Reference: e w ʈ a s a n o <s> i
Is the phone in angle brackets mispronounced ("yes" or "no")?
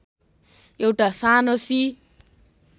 no